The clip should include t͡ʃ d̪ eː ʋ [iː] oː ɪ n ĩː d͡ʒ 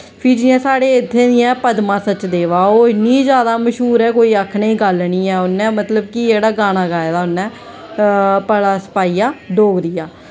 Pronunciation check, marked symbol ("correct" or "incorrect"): incorrect